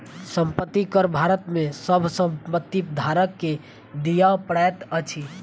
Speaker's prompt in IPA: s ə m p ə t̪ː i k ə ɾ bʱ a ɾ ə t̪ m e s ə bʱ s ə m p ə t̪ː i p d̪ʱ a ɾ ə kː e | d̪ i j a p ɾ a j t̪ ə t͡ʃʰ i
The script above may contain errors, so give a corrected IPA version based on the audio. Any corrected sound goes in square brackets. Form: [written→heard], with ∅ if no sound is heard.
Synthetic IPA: s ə m p ə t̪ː i k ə ɾ bʱ a ɾ ə t̪ m e s ə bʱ s ə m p ə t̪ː i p d̪ʱ a ɾ ə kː e | d̪ i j a p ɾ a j t̪ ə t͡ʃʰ i